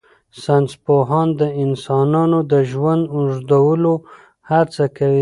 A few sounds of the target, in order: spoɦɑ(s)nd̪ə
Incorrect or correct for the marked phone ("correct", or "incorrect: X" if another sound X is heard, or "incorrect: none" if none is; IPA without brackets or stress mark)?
incorrect: none